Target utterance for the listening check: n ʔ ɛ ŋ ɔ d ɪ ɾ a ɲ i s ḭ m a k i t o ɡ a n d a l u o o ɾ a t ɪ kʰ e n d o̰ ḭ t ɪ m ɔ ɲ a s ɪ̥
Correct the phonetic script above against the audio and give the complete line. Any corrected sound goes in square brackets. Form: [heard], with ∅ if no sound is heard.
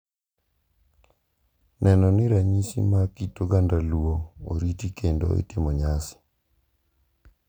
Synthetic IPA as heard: n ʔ ɛ [n] ɔ [n] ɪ ɾ a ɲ i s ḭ m a k i t o ɡ a n d a l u o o ɾ [i] t [i] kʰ e n d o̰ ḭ t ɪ m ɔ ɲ a s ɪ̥